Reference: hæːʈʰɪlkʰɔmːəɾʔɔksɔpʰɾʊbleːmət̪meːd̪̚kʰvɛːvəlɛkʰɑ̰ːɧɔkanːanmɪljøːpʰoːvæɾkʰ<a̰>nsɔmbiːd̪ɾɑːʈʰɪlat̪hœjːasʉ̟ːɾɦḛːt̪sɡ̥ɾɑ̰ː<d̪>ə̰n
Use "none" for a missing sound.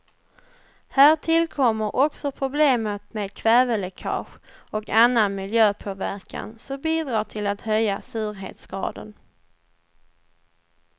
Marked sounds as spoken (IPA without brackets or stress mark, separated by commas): a̰, d̪